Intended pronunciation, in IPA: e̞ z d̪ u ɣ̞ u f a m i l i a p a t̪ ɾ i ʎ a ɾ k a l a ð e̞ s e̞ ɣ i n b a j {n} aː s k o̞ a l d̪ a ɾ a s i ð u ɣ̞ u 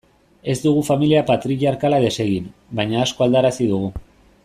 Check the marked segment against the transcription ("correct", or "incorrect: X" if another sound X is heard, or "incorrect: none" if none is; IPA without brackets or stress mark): incorrect: ɲ